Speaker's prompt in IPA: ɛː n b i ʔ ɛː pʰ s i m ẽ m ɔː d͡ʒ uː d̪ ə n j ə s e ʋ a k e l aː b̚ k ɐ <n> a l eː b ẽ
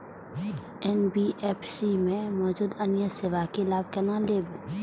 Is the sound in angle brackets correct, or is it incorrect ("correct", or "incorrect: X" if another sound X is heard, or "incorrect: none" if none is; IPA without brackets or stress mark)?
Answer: correct